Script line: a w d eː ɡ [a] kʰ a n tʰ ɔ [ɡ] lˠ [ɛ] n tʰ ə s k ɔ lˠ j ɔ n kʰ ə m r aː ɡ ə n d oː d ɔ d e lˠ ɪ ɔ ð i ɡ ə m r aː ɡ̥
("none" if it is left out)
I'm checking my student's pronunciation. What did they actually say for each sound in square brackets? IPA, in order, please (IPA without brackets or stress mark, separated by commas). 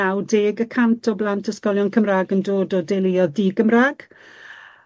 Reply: ə, b, a